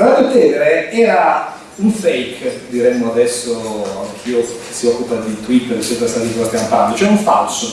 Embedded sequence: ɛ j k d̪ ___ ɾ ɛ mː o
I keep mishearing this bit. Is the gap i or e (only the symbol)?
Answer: i